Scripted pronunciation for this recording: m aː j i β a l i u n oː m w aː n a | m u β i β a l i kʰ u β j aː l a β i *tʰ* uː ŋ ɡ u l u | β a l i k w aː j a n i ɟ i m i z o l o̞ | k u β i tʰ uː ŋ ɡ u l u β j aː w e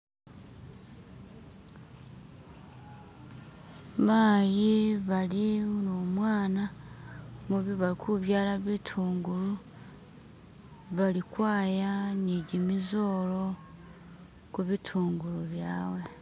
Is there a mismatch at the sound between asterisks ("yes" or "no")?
no